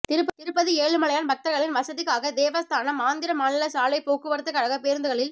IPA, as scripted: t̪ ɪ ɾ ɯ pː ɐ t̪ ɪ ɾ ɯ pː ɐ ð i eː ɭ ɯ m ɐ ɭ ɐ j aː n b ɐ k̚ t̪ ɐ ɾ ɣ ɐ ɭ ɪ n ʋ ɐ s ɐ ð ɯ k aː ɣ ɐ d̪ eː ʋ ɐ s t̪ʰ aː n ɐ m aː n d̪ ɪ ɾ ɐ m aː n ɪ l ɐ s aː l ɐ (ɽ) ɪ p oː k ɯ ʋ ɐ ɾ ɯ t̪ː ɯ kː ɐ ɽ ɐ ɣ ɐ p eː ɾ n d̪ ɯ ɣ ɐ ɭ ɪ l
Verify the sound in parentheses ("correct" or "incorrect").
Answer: incorrect